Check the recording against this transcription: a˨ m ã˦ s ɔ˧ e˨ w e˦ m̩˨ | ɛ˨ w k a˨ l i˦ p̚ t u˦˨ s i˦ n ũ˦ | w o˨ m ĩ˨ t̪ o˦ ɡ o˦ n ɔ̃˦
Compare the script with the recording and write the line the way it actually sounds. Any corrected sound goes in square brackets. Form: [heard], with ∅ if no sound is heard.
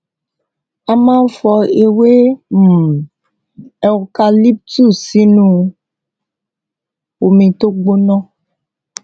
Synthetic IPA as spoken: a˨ m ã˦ [f] ɔ˧ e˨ w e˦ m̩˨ | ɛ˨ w k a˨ l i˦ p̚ t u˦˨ s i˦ n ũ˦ | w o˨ m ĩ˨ t̪ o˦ [ɡ͡b] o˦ n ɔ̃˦